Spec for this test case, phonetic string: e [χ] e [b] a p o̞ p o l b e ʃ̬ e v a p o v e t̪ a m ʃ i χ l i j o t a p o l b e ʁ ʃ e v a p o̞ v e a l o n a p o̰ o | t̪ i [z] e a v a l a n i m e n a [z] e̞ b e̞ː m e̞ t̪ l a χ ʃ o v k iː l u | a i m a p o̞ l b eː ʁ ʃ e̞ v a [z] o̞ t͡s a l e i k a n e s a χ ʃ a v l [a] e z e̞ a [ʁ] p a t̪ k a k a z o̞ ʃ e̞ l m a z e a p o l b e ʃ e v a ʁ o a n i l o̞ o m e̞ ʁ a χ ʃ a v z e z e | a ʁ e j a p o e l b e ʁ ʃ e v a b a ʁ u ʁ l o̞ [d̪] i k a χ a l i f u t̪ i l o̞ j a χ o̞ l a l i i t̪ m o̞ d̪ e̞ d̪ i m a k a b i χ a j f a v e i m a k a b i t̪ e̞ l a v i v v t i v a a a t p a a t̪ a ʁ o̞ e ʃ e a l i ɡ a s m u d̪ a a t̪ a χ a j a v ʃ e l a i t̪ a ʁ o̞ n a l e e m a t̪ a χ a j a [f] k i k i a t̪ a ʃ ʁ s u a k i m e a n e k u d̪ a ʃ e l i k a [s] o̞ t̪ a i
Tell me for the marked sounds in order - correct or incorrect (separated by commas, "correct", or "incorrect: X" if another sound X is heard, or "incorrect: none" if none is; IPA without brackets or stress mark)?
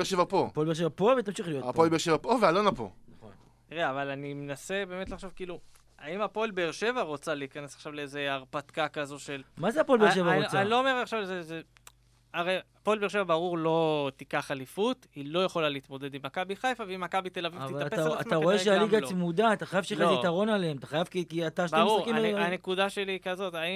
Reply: incorrect: ʃ, incorrect: v, incorrect: ʁ, incorrect: s, incorrect: ʁ, incorrect: e, correct, incorrect: t̪, incorrect: v, incorrect: z